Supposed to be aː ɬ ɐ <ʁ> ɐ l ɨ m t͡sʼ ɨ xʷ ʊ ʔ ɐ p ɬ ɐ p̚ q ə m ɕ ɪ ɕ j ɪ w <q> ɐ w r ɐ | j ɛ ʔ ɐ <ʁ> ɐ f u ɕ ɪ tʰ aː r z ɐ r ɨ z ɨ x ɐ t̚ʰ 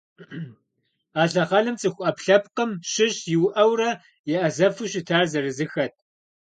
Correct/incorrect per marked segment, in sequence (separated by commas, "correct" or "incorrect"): correct, incorrect, incorrect